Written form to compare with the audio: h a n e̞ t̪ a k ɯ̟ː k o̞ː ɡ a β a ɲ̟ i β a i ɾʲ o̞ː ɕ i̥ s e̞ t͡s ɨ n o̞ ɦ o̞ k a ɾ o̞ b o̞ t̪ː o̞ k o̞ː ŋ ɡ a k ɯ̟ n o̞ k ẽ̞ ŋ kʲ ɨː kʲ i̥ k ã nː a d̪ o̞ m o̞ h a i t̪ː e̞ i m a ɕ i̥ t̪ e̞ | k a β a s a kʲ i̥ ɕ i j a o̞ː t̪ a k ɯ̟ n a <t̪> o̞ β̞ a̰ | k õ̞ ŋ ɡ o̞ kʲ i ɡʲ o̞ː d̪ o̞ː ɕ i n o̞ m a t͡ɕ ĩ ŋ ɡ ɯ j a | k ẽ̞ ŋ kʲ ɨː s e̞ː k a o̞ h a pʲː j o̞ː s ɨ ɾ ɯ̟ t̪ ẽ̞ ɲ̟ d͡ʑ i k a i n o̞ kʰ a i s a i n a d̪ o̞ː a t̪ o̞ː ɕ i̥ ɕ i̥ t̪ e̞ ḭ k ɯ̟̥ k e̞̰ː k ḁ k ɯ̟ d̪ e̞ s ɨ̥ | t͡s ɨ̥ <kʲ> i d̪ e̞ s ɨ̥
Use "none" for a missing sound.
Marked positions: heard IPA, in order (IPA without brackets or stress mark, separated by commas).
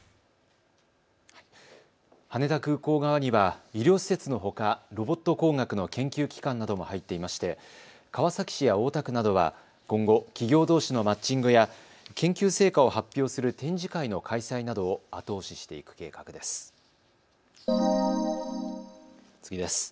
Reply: d̪, ɡʲ